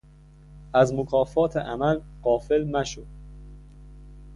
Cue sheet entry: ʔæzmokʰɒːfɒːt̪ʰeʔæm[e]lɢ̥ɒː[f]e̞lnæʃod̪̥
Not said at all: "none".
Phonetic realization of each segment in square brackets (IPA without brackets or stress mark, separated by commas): æ, f